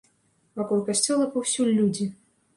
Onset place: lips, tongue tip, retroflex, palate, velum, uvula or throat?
lips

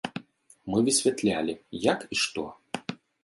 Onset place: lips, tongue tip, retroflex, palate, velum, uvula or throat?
lips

